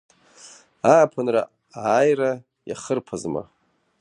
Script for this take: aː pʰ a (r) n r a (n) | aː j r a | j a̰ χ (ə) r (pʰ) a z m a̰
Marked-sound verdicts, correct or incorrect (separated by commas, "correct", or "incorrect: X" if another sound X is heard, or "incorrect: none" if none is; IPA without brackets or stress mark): incorrect: none, incorrect: none, correct, correct